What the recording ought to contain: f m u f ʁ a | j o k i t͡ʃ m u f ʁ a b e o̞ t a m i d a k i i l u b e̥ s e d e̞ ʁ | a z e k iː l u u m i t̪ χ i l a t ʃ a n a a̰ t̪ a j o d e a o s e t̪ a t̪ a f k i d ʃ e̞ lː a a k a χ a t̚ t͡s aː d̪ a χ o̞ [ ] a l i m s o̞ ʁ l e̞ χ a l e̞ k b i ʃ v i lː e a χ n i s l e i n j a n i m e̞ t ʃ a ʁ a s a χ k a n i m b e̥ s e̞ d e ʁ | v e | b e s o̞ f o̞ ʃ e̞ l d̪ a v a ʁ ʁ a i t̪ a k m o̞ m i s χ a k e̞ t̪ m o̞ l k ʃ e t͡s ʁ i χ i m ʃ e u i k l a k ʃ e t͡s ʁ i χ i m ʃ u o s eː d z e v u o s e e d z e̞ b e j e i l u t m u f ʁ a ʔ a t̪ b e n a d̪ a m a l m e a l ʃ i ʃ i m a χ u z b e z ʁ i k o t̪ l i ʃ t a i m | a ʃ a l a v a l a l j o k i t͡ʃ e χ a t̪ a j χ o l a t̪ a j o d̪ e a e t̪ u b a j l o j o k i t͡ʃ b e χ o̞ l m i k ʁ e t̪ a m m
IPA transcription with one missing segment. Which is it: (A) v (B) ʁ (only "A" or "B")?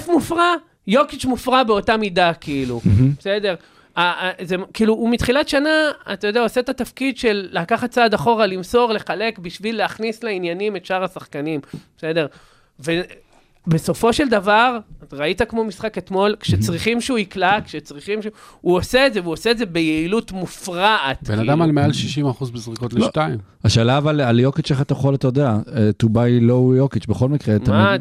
B